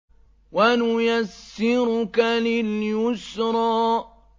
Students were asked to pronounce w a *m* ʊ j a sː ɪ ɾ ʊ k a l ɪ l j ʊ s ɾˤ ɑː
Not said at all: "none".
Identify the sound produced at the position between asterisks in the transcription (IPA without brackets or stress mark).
n